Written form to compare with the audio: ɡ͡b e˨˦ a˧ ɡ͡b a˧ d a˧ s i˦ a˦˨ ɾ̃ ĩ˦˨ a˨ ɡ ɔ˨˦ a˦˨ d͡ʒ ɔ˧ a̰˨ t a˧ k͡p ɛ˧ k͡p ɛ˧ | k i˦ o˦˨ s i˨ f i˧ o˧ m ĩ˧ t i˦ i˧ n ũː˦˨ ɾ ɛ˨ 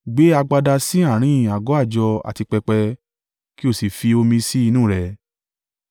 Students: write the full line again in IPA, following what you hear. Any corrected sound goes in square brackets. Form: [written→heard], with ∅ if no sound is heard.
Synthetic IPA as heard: ɡ͡b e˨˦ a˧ ɡ͡b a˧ d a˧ s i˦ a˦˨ ɾ̃ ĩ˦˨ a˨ ɡ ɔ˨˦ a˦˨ d͡ʒ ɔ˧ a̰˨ t [a˧→i˧] k͡p ɛ˧ k͡p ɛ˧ | k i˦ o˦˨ s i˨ f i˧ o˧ m ĩ˧ [t→s] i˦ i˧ n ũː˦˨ ɾ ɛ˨